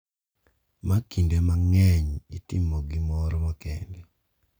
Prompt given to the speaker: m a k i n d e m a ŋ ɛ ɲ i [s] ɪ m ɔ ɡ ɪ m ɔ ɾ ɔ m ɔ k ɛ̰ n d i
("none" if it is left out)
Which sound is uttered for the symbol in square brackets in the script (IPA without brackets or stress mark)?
t